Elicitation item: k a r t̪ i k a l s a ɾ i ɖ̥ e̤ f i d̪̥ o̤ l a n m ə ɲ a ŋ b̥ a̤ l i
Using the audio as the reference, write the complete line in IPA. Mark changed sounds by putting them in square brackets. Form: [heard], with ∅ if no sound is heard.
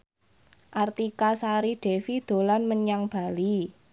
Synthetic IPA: [ʔ] a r t̪ i k a [∅] s a ɾ i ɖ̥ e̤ f i d̪̥ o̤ l a n m ə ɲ a ŋ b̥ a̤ l i